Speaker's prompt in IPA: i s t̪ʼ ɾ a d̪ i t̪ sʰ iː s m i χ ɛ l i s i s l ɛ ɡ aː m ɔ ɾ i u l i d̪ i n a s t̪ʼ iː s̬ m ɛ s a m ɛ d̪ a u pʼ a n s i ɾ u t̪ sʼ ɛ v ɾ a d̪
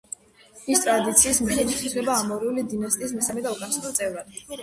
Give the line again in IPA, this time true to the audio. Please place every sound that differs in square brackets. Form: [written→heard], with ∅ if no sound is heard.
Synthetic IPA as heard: i s t̪ʼ ɾ a d̪ i t̪ sʰ iː s m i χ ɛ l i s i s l ɛ [ɡ→b] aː m ɔ ɾ i u l i d̪ i n a s t̪ʼ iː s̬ m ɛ s a m ɛ d̪ a u [pʼ→kʼ] a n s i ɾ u t̪ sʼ ɛ v ɾ a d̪